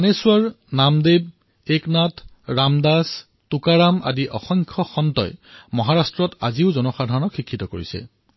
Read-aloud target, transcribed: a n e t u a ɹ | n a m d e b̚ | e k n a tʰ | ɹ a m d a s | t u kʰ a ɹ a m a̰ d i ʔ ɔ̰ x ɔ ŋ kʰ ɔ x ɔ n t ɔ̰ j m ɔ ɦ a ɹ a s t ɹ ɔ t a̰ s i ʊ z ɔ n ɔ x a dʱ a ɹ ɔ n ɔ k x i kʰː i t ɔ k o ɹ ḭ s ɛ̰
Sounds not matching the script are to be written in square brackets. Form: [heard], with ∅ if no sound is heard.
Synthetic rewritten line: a n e [s] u a ɹ | n a m d e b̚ | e k n a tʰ | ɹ a m d a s | t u [k] a ɹ a m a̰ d i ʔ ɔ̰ x ɔ ŋ kʰ ɔ x ɔ n t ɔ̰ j m ɔ ɦ a ɹ a s t ɹ ɔ t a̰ [z] i ʊ z ɔ n ɔ x a dʱ a ɹ ɔ n ɔ k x i kʰː i t ɔ k o ɹ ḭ s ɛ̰

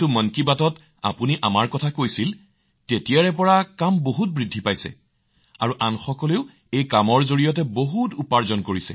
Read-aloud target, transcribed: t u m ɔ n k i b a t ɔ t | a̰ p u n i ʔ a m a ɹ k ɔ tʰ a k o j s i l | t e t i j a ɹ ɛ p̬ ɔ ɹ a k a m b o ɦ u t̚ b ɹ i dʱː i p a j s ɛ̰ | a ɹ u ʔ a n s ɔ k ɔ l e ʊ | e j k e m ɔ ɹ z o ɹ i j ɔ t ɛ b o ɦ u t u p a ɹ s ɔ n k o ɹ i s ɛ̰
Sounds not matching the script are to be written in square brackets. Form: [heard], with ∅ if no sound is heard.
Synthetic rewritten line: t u m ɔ n k i b a t ɔ t | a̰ p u n i ʔ a m a ɹ k ɔ tʰ a k o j s i l | t e t i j a ɹ ɛ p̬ ɔ ɹ a k a m b o ɦ u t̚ b ɹ i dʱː i p a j s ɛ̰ | a ɹ u ʔ a n [x] ɔ k ɔ l e ʊ | e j k [a] m ɔ ɹ z o ɹ i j ɔ t ɛ b o ɦ u t u p a ɹ [z] ɔ n k o ɹ i s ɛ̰

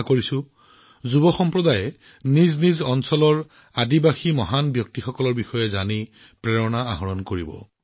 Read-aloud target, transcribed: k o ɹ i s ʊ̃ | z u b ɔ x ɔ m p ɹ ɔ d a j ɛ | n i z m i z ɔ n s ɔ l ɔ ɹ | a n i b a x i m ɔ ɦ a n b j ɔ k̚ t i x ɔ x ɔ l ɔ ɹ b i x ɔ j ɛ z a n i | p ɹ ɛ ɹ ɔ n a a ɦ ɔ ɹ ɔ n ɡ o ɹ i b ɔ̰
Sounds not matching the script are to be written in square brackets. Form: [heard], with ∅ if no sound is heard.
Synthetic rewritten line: k o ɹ i s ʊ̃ | z u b ɔ x ɔ m p ɹ ɔ d a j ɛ | n i z [n] i z ɔ n s ɔ l ɔ ɹ | a [d] i b a x i m ɔ ɦ a n b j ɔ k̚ t i x ɔ [k] ɔ l ɔ ɹ b i x ɔ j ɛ z a n i | p ɹ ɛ ɹ ɔ n a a ɦ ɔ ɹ ɔ n [k] o ɹ i b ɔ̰

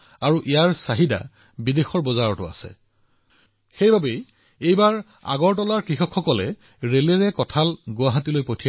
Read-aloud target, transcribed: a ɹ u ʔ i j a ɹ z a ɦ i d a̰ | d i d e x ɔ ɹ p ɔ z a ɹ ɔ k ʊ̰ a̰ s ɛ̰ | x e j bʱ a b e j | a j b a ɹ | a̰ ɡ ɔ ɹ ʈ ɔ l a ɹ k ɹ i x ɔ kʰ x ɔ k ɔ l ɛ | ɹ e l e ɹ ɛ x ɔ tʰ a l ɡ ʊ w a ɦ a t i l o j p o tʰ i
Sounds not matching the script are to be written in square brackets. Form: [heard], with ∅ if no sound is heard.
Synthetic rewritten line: a ɹ u ʔ i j a ɹ [s] a ɦ i d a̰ | [b] i d e x ɔ ɹ [b] ɔ z a ɹ ɔ [t] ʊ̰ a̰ s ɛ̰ | x e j bʱ a b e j | [e] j b a ɹ | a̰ ɡ ɔ ɹ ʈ ɔ l a ɹ k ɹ i x ɔ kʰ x ɔ k ɔ l ɛ | ɹ e l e ɹ ɛ [k] ɔ tʰ a l ɡ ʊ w a ɦ a t i l o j p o tʰ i

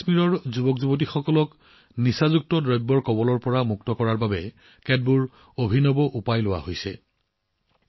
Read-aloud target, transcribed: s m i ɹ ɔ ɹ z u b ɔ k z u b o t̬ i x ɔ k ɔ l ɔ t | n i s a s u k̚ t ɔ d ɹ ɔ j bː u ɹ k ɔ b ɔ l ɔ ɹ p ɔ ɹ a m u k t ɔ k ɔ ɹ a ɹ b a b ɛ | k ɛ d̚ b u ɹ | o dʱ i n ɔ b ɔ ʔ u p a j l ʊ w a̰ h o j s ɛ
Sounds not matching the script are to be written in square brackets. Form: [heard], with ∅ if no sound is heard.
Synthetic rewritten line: s m i ɹ ɔ ɹ z u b ɔ k z u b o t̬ i x ɔ k ɔ l ɔ [k] | n i s a [z] u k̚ t ɔ d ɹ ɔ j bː [ɔ] ɹ k ɔ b ɔ l ɔ ɹ p ɔ ɹ a m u k t ɔ k ɔ ɹ a ɹ b a b ɛ | k ɛ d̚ b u ɹ | o [bʱ] i n ɔ b ɔ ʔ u p a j l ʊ w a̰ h o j s ɛ

